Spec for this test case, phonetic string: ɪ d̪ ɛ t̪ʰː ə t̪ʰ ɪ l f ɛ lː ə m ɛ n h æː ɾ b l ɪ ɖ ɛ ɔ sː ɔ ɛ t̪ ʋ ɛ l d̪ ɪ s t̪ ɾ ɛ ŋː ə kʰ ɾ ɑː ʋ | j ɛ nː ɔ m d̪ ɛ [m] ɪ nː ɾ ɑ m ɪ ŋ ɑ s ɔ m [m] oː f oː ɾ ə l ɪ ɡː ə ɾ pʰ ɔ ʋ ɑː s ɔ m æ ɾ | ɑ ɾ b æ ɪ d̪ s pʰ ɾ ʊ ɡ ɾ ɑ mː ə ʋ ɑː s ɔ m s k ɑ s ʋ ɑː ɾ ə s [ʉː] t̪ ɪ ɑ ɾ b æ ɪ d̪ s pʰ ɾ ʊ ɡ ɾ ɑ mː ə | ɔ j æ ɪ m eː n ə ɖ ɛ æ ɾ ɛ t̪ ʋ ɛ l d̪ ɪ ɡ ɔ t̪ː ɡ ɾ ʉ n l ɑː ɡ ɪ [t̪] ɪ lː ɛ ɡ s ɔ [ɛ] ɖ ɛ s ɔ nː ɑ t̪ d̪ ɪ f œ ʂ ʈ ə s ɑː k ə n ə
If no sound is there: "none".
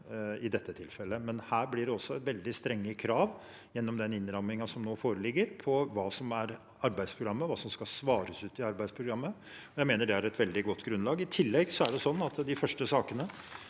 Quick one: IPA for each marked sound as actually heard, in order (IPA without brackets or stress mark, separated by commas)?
n, n, ʉː, t̪ʰ, æ